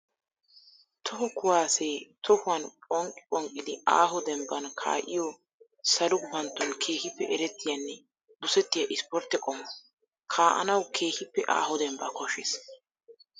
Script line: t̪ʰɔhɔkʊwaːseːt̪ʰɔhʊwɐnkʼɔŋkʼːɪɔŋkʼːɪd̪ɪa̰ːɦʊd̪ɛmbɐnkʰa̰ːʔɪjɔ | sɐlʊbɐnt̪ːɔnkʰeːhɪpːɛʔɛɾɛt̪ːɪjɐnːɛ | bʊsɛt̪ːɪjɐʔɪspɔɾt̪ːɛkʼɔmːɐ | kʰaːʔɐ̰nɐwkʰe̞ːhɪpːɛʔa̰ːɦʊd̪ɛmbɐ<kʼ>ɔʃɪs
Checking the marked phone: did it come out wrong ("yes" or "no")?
yes